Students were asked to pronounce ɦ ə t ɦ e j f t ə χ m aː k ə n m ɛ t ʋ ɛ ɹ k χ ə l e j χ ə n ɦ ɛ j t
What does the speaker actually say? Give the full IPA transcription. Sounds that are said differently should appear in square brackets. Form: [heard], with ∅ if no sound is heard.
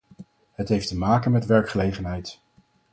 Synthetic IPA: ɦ ə t ɦ e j f t ə [∅] m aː k ə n m ɛ t ʋ ɛ ɹ k χ ə l e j χ ə n ɦ ɛ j t